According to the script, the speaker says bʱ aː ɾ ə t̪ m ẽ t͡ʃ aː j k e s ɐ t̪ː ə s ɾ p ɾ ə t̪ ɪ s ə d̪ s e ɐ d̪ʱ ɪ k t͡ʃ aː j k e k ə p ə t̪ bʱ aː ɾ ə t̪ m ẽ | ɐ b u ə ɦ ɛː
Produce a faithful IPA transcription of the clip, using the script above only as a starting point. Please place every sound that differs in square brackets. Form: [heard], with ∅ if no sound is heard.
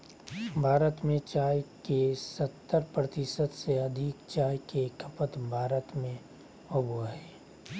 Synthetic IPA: bʱ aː ɾ ə t̪ m ẽ t͡ʃ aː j k e s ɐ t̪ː ə [∅] ɾ p ɾ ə t̪ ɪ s ə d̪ s e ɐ d̪ʱ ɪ k t͡ʃ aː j k e k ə p ə t̪ bʱ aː ɾ ə t̪ m ẽ | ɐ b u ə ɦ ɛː